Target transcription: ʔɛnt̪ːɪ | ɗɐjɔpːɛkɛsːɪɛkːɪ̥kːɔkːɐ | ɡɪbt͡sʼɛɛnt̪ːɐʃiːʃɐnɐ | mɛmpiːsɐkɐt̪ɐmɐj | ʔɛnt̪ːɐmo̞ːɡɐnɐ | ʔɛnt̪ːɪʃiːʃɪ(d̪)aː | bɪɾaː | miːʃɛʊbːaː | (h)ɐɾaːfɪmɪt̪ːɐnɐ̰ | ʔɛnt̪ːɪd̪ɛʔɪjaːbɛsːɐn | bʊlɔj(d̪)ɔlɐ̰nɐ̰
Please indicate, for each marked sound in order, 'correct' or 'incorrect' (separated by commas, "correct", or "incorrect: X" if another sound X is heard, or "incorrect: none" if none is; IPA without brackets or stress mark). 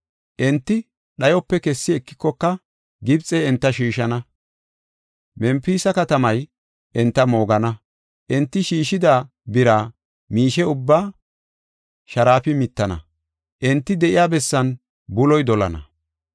correct, incorrect: ʃ, correct